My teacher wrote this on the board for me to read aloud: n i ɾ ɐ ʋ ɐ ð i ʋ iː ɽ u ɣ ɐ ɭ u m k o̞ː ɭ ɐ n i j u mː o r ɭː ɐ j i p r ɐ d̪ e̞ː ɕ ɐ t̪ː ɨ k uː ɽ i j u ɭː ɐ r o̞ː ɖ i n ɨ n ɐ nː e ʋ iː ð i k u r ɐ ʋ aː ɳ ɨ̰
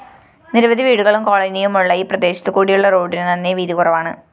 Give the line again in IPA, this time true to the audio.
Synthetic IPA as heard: n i ɾ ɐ ʋ ɐ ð i ʋ iː ɽ u ɣ ɐ ɭ u m k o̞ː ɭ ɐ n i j u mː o ɭː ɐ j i p r ɐ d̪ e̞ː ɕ ɐ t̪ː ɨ k uː ɽ i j u ɭː ɐ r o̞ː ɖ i n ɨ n ɐ nː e ʋ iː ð i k u r ɐ ʋ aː ɳ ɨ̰